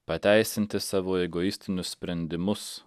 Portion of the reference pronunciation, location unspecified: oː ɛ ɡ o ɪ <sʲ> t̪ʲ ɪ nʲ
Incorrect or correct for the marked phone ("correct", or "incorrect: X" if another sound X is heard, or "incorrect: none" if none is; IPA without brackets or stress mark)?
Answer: correct